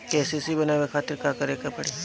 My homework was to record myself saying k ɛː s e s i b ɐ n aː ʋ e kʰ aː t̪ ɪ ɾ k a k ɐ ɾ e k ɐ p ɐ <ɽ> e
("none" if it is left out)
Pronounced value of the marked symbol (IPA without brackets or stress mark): ɽ